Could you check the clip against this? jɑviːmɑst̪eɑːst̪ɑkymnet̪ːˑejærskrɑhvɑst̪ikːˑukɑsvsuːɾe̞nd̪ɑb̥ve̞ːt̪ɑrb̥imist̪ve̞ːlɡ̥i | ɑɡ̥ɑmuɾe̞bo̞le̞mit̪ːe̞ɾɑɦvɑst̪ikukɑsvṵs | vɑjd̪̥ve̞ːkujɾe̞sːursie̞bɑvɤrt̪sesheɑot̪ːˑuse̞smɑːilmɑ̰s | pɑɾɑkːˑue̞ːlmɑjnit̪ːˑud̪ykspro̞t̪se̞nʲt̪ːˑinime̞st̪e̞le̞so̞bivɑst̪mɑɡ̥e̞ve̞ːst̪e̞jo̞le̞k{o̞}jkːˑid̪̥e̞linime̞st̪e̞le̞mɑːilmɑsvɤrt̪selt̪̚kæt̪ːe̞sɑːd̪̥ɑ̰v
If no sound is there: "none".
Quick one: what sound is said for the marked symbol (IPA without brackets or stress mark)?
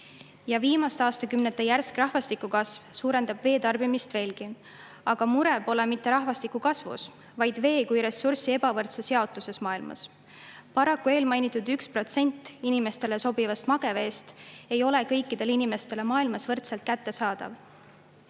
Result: ɤ̞